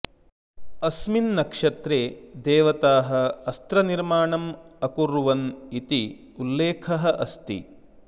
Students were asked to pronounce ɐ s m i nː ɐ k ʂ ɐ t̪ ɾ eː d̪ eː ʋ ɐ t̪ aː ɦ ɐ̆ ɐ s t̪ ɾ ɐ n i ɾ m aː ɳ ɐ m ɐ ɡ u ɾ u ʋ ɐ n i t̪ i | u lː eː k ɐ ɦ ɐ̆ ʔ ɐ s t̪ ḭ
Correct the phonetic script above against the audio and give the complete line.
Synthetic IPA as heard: ɐ s m i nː ɐ k ʂ ɐ t̪ ɾ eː d̪ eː ʋ ɐ t̪ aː ɦ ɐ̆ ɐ s t̪ ɾ ɐ n i ɾ m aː ɳ ɐ m ɐ k u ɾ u ʋ ɐ n i t̪ i | u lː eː kʰ ɐ ɦ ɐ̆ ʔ ɐ s t̪ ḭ